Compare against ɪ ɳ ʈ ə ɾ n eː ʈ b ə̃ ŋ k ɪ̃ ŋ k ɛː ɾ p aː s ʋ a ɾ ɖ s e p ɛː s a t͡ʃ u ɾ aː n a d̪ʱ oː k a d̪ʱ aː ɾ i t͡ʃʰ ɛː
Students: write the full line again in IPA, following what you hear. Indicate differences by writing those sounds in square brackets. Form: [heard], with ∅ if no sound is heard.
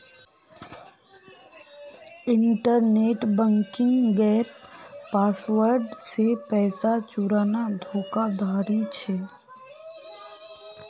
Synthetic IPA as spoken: ɪ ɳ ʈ ə ɾ n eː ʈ b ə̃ ŋ k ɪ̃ ŋ [ɡ] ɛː ɾ p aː s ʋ [ə] ɾ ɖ s e p ɛː s a t͡ʃ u ɾ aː n a d̪ʱ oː k a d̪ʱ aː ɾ i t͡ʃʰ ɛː

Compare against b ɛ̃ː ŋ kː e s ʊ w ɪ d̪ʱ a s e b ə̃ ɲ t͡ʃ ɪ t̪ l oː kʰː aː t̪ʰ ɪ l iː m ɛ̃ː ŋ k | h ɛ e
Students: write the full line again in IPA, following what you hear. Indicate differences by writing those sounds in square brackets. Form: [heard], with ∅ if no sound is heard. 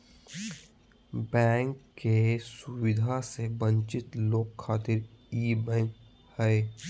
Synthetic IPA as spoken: b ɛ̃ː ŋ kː e s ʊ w ɪ d̪ʱ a s e b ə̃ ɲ t͡ʃ ɪ t̪ l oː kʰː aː [t̪] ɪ [ɾ] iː [b] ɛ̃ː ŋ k | h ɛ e

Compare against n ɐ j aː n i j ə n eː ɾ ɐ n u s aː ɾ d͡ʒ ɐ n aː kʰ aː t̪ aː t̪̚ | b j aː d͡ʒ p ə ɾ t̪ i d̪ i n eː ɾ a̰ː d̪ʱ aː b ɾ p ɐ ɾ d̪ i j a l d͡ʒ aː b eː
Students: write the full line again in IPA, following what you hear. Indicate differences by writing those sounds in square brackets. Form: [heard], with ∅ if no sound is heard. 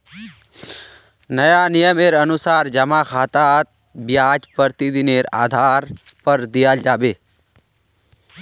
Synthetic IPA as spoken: n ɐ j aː n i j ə [m] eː ɾ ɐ n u s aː ɾ d͡ʒ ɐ [m] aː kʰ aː t̪ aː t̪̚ | b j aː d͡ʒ p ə ɾ t̪ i d̪ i n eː ɾ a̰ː d̪ʱ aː [∅] ɾ p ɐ ɾ d̪ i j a l d͡ʒ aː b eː

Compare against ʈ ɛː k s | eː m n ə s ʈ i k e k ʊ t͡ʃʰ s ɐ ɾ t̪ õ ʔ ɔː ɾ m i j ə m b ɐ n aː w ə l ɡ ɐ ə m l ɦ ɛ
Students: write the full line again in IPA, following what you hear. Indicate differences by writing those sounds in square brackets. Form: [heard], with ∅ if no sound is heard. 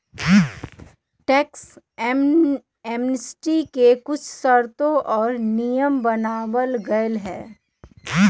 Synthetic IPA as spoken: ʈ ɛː k s | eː m n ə s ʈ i k e k ʊ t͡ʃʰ s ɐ ɾ t̪ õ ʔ ɔː ɾ [n] i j ə m b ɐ n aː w ə l ɡ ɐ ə [∅] l ɦ [ɛː]

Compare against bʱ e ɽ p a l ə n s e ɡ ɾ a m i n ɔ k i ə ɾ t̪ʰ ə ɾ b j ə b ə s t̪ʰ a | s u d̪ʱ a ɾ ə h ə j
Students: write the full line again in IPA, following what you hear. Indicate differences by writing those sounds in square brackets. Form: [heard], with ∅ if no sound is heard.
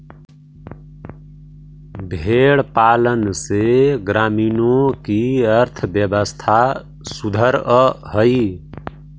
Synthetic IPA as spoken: bʱ e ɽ p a l ə n s e ɡ ɾ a m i n [o] k i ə ɾ t̪ʰ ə [∅] b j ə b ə s t̪ʰ a | s u d̪ʱ [ə] ɾ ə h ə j

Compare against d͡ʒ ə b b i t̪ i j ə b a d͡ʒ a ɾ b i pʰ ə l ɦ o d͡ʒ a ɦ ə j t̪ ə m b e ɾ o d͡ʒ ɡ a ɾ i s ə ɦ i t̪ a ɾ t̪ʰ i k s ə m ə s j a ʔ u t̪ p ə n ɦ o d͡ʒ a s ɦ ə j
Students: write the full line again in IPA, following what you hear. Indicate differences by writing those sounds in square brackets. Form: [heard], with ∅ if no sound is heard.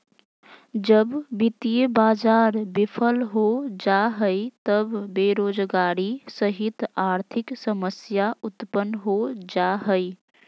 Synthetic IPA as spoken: d͡ʒ ə b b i t̪ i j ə b a d͡ʒ a ɾ b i pʰ ə l ɦ o d͡ʒ a ɦ ə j t̪ ə [b] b e ɾ o d͡ʒ ɡ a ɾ i s ə ɦ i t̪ a ɾ t̪ʰ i k s ə m ə s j a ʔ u t̪ p ə n ɦ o d͡ʒ a [∅] ɦ ə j

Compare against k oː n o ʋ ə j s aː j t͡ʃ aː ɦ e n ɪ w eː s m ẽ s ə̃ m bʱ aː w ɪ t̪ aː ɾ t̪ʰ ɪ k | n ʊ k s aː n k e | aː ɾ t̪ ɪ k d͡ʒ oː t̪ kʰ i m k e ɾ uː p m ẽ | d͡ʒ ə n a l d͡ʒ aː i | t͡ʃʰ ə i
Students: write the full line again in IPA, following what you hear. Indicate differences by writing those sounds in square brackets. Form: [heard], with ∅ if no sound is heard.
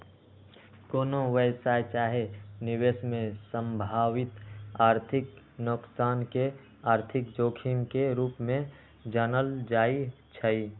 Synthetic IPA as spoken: k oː n o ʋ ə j s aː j t͡ʃ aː ɦ e n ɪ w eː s m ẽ s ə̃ m bʱ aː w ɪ t̪ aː ɾ t̪ʰ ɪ k | n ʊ k s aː n k e | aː ɾ [t̪ʰ] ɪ k d͡ʒ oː [∅] kʰ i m k e ɾ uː p m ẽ | d͡ʒ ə n [ə] l d͡ʒ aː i | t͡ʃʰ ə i

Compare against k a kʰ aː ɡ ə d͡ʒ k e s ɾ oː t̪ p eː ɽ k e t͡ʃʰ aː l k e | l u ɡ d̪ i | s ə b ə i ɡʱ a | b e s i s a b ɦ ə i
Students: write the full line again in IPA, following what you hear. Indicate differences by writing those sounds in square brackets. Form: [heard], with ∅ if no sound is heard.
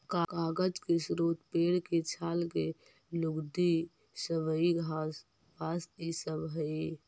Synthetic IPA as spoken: k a [k] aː ɡ ə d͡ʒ k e s ɾ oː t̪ p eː ɽ k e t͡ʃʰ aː l k e | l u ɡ d̪ i | s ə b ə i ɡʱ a | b [a] s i s [ə] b ɦ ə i

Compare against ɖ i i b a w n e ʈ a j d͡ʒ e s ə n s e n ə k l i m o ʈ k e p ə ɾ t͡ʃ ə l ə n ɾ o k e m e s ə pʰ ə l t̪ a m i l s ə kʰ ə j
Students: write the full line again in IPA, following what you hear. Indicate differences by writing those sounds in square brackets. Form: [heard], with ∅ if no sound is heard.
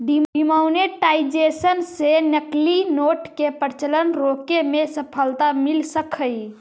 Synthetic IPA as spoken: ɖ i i [m] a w n e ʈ a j d͡ʒ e s ə n s e n ə k l i [n] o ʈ k e p ə ɾ t͡ʃ ə l ə n ɾ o k e m e s ə pʰ ə l t̪ a m i l s ə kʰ ə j

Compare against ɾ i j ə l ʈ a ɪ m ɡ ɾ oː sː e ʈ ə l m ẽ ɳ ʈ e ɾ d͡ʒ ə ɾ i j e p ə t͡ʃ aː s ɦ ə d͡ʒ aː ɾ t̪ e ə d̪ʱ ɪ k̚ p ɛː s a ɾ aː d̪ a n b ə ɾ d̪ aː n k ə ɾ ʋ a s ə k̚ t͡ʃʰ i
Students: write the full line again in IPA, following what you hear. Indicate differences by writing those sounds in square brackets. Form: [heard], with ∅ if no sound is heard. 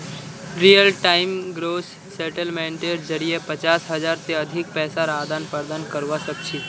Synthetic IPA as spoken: ɾ i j ə l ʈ a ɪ m ɡ ɾ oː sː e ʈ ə l m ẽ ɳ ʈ e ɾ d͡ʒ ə ɾ i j e p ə t͡ʃ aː s ɦ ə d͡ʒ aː ɾ t̪ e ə d̪ʱ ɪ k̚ p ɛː s a ɾ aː d̪ a n [p] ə ɾ d̪ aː n k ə ɾ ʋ a s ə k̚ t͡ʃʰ i

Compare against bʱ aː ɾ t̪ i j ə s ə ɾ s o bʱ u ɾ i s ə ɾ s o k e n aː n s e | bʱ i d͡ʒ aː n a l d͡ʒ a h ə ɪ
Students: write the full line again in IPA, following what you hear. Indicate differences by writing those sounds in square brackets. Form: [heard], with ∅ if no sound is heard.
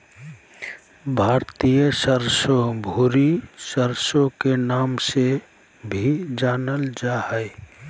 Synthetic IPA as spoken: bʱ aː ɾ t̪ i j ə s ə ɾ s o bʱ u ɾ i s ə ɾ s o k e n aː [m] s e | bʱ i d͡ʒ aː n [ə] l d͡ʒ a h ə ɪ

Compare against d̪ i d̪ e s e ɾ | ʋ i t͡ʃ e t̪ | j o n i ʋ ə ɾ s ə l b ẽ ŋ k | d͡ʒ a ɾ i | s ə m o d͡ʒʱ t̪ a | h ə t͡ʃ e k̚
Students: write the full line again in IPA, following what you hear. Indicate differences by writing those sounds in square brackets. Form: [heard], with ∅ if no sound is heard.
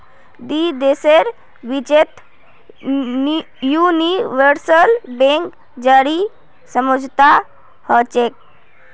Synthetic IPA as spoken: d̪ i d̪ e s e ɾ | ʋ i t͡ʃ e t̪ | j [u] n i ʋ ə ɾ s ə l b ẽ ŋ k | d͡ʒ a ɾ i | s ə m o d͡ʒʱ t̪ a | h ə t͡ʃ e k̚

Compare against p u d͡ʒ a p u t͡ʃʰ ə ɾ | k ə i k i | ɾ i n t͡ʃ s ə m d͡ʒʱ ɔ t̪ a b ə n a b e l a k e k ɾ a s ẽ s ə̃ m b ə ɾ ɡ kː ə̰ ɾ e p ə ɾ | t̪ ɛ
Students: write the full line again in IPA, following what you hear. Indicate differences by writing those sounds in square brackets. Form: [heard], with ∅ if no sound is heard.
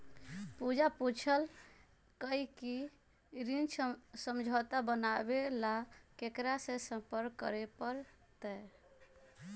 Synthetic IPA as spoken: p u d͡ʒ a p u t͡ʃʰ ə [l] | k ə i k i | ɾ i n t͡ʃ s ə m d͡ʒʱ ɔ t̪ a b ə n a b e l a k e k ɾ a s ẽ s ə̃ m [p] ə ɾ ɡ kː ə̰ ɾ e p ə ɾ | t̪ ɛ

